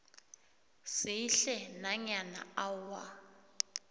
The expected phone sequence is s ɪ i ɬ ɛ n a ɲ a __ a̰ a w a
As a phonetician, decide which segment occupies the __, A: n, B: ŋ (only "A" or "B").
A